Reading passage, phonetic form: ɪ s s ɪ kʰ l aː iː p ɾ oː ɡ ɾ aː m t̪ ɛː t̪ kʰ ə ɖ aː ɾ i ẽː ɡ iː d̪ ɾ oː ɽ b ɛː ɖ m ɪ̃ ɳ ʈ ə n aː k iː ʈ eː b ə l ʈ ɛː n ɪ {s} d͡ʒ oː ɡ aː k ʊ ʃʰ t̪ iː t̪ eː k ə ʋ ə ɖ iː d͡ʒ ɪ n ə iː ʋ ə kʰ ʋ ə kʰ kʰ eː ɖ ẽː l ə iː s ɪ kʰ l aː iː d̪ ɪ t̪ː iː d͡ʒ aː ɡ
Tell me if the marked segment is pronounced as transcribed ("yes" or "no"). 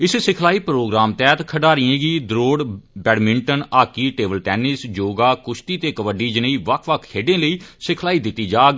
yes